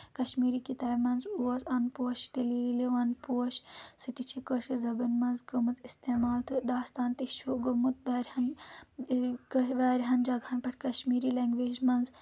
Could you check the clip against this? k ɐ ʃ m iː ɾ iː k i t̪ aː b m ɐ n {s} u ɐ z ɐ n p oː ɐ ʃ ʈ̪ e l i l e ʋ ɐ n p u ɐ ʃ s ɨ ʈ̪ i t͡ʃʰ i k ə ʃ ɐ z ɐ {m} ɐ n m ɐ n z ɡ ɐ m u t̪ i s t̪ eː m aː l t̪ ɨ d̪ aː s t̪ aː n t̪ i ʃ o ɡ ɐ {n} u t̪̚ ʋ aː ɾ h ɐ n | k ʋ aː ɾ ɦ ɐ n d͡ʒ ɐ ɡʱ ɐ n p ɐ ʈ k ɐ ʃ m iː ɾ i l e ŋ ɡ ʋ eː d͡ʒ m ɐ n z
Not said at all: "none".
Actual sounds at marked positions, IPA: z, b, m

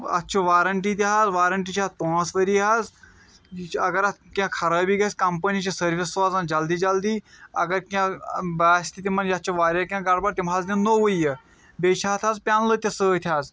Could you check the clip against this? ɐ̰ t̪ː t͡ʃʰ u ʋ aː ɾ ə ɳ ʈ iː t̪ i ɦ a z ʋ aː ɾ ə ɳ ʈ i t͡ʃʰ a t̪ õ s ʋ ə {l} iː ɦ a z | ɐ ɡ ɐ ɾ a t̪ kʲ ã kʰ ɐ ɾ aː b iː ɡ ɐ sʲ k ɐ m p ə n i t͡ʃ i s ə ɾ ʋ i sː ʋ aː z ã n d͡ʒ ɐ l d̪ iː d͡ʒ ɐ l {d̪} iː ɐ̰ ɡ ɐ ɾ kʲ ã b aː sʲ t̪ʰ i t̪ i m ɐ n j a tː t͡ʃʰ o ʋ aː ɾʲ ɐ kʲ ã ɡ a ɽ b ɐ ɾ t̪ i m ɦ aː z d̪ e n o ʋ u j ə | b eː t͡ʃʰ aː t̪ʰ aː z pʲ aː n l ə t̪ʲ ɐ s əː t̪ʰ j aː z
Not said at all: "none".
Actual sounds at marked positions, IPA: ɾ, d̪

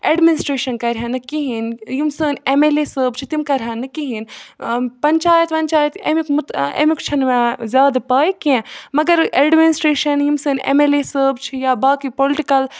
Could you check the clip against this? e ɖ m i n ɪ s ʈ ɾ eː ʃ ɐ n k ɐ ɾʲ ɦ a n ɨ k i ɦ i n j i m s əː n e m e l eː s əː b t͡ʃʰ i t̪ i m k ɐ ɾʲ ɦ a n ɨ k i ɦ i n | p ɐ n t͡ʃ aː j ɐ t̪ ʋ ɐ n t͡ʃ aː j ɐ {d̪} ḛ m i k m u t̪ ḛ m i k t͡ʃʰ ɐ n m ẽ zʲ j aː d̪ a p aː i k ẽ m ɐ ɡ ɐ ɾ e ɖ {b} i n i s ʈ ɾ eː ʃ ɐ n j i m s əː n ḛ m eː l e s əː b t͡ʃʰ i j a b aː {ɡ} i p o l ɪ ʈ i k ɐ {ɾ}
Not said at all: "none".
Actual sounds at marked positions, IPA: t̪, m, k, l

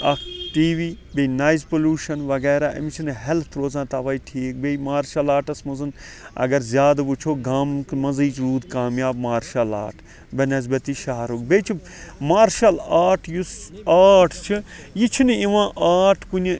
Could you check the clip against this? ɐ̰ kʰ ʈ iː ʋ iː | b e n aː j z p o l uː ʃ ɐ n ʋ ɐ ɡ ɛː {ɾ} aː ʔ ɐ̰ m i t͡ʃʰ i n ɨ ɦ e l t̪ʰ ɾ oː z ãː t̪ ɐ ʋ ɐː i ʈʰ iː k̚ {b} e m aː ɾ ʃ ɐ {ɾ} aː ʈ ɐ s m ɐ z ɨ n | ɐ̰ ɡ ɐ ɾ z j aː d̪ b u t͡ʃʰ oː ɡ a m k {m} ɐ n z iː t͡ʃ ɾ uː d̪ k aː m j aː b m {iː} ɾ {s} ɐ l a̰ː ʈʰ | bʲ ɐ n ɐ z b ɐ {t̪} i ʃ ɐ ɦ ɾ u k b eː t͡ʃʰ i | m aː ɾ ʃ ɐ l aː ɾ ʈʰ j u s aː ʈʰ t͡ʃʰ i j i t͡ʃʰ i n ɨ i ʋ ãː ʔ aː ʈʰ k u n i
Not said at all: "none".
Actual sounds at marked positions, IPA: ɾ, b, l, m, aː, ʃ, t̪

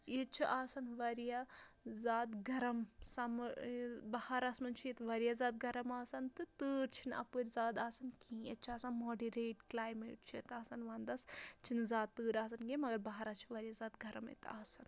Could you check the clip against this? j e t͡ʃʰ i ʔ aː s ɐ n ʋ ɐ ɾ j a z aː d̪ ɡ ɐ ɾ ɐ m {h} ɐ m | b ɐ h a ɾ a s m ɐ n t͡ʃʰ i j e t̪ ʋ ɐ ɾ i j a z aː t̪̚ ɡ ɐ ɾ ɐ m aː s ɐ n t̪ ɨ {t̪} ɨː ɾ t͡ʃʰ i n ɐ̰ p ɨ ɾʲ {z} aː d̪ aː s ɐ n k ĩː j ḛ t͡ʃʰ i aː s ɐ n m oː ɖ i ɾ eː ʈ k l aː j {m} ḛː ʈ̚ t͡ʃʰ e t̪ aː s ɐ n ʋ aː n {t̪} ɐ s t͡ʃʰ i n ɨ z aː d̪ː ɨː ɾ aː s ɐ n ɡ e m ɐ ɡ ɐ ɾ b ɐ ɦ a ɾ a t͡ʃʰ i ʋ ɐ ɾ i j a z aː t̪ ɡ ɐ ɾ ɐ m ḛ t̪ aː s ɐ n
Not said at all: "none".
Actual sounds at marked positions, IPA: s, t̪, z, m, d̪

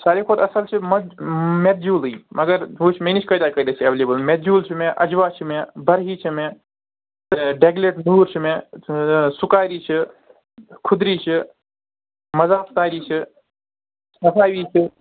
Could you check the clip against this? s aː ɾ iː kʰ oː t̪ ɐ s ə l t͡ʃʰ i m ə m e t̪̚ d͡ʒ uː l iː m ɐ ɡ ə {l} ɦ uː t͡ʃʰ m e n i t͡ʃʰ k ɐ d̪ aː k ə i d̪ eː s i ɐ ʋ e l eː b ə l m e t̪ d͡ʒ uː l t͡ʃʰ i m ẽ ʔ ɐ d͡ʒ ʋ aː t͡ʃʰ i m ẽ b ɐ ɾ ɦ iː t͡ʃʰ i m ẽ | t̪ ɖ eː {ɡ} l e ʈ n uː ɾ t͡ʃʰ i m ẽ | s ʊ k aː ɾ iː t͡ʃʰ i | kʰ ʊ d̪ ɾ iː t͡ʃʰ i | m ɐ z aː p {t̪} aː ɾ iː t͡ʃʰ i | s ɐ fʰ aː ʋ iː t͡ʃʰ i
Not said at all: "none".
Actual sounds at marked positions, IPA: ɾ, ɡ, t̪

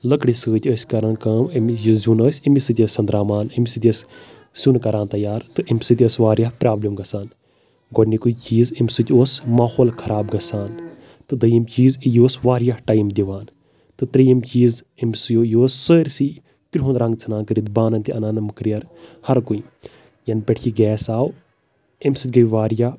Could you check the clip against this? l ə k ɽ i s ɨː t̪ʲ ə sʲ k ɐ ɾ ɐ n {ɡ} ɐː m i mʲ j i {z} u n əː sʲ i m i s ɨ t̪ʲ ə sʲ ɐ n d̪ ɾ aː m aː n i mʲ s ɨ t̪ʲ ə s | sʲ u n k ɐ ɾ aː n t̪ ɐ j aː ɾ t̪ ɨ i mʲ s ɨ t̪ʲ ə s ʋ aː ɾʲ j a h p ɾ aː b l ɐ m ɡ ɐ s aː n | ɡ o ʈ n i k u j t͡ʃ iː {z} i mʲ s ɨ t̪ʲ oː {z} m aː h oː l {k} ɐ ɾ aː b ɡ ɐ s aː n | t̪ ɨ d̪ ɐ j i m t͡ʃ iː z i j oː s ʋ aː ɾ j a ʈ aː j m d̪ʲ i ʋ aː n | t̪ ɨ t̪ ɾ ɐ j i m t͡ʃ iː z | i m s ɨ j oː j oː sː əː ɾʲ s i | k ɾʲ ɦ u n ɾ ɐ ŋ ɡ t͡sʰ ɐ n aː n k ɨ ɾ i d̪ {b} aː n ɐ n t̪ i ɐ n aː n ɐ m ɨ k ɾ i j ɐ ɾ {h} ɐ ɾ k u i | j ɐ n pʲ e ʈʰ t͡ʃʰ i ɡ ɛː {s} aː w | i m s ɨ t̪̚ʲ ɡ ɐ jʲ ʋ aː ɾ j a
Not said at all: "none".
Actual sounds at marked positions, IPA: k, z, z, s, kʰ, b, h, s

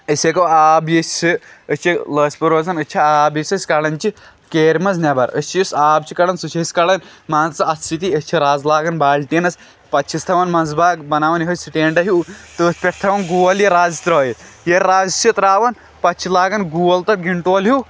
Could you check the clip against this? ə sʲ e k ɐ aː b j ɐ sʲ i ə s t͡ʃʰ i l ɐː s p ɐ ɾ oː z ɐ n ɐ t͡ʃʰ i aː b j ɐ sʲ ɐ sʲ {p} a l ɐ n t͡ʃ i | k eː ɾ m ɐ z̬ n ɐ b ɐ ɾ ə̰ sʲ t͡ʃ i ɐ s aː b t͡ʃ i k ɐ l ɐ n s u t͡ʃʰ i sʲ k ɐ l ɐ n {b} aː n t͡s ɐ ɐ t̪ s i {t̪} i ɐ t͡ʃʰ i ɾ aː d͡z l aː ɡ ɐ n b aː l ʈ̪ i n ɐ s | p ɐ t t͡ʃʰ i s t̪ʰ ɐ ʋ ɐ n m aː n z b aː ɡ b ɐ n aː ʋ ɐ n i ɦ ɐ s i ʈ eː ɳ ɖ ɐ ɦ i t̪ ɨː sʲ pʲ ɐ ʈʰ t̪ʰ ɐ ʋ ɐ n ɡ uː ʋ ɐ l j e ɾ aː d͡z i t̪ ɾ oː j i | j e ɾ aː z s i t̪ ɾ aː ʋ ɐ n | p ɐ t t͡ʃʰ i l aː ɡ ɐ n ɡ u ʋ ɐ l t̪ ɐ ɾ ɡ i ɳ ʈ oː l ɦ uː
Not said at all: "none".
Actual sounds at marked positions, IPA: k, m, t̪

